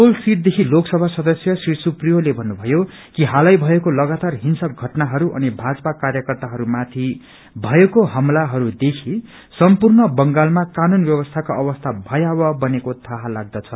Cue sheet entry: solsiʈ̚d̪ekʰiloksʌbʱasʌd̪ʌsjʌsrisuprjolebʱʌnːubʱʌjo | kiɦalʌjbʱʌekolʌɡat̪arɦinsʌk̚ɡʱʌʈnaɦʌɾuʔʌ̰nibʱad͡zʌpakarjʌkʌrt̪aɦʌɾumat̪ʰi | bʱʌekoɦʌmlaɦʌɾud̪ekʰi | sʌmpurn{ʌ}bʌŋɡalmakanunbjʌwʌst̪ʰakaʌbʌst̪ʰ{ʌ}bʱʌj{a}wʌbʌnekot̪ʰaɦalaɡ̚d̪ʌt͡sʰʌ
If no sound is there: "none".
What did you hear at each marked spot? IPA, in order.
ʌ, a, a

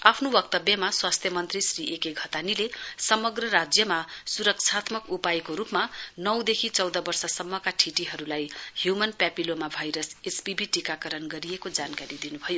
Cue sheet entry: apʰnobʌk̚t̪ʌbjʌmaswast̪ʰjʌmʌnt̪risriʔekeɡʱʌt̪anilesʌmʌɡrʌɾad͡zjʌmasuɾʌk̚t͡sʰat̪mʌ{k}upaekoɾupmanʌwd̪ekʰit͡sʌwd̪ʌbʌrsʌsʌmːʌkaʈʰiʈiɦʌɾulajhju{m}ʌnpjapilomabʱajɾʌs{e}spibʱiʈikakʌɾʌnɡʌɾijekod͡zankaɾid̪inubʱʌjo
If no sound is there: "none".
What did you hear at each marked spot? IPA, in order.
k, m, e

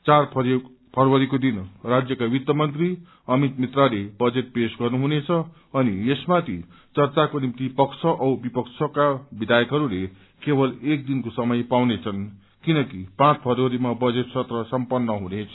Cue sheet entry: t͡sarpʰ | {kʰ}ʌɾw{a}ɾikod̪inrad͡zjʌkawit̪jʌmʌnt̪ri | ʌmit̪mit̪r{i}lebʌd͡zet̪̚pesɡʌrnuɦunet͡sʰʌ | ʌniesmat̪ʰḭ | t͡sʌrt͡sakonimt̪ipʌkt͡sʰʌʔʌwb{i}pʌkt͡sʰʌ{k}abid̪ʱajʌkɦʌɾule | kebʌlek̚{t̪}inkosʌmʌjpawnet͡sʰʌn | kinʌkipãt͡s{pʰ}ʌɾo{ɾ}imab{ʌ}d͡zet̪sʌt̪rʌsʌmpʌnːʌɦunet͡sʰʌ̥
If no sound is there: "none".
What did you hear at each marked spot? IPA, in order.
pʰ, ʌ, a, i, k, d̪, pʰ, ɾ, ʌ

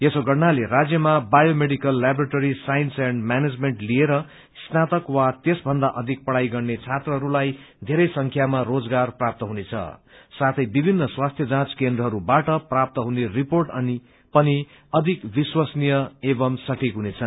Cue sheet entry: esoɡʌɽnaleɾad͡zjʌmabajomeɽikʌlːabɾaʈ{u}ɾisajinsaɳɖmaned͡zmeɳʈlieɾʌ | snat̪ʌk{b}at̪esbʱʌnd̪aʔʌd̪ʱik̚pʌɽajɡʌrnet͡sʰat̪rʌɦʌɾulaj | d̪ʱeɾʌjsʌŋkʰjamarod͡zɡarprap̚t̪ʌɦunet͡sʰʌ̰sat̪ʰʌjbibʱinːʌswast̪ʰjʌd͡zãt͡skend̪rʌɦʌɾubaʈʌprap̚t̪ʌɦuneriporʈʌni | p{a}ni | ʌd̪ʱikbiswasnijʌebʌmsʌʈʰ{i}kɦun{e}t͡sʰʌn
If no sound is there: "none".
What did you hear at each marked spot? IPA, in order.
o, w, ʌ, i, e

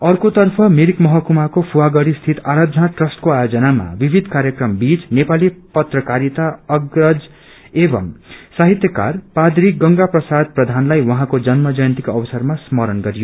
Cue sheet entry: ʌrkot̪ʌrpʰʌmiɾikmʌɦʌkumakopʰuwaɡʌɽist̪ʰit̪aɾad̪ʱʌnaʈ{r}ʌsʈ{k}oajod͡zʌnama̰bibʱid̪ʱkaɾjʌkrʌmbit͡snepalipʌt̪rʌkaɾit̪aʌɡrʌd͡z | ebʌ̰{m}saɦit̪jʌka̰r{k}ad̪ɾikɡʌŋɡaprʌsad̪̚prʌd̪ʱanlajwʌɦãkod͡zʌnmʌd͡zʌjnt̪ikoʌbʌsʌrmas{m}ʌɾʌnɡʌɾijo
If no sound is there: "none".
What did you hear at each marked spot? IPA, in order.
r, k, m, p, m

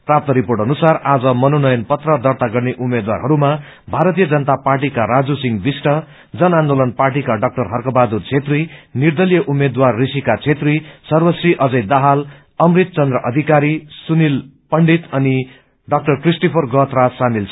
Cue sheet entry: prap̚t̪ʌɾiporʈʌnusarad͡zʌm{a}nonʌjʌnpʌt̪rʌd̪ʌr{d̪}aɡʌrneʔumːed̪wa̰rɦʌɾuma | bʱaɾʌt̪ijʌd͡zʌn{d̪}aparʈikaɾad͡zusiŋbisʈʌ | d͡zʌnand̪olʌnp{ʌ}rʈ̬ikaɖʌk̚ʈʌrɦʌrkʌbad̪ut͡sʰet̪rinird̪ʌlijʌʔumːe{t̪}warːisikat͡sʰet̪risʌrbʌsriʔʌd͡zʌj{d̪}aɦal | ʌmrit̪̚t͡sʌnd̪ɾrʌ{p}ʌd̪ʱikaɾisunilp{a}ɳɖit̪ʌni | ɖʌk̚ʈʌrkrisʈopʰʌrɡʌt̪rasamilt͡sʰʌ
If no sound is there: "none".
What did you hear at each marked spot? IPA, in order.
ʌ, t̪, t̪, a, d̪, d̪, ʔ, ʌ

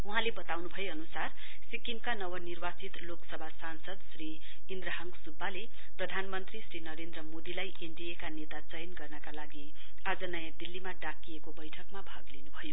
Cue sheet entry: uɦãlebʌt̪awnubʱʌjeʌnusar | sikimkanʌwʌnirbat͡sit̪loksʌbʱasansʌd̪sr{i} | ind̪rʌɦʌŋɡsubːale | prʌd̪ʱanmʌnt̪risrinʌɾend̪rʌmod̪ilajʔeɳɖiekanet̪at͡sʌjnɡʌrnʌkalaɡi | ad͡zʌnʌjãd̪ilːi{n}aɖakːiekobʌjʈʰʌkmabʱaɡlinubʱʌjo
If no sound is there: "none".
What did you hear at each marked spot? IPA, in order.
i, m

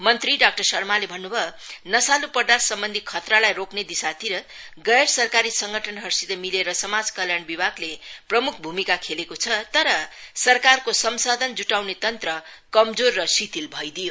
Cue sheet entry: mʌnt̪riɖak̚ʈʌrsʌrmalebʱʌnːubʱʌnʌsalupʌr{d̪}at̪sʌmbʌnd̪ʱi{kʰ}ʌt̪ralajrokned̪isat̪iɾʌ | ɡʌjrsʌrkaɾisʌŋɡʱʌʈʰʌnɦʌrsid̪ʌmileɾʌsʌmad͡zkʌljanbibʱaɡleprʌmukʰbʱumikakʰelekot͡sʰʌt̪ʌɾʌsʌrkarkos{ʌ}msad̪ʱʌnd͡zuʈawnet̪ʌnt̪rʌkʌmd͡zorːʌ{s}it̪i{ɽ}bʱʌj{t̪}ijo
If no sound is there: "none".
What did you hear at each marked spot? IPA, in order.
d̪, kʰ, ʌ, s, l, d̪

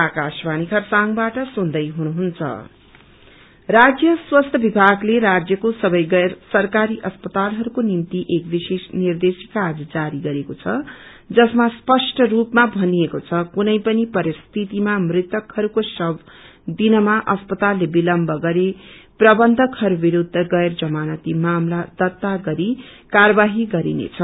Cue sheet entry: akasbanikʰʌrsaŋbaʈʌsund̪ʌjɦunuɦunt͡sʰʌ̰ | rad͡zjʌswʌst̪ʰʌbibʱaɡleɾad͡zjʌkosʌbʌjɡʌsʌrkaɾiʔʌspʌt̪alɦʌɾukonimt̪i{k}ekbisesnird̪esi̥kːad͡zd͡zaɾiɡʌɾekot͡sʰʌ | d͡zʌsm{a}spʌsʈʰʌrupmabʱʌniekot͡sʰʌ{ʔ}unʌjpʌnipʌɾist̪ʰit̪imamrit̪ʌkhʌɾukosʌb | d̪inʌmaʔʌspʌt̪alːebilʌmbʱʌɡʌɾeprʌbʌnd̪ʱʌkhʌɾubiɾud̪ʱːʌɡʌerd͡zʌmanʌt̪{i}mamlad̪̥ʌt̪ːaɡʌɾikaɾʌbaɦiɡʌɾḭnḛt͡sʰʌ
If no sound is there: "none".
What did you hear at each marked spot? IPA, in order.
ʔ, a, k, i

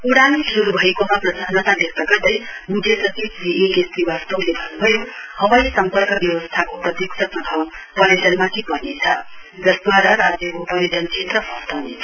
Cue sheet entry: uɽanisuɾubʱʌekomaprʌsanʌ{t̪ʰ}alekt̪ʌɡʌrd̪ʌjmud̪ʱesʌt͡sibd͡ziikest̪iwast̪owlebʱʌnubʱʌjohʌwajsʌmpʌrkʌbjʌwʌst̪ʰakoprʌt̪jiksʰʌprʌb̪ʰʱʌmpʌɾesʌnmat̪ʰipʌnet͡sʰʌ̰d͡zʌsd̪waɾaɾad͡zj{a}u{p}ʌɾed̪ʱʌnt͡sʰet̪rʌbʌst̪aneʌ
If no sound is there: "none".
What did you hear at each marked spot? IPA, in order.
t̪, ʌ, p

